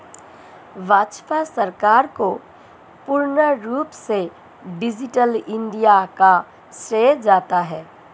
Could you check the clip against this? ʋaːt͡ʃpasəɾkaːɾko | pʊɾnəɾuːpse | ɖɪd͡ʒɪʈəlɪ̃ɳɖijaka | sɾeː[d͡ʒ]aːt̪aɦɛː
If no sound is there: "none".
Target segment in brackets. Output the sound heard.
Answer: d͡ʒ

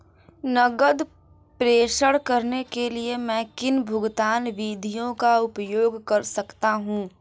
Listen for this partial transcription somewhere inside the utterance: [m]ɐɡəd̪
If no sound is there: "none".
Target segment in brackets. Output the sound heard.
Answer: n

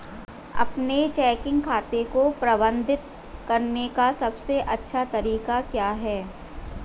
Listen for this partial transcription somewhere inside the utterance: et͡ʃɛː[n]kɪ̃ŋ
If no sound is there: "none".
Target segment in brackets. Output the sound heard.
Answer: none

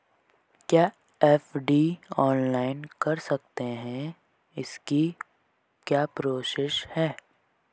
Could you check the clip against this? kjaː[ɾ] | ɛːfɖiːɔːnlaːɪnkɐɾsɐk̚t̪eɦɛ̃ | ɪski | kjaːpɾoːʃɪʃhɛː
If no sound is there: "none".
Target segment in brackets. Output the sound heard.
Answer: none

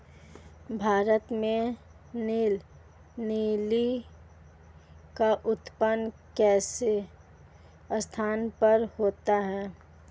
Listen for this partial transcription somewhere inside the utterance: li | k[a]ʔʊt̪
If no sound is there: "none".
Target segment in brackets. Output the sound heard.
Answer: a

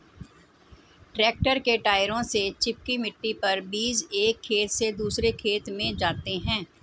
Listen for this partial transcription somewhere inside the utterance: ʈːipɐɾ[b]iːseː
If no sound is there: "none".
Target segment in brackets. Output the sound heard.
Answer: b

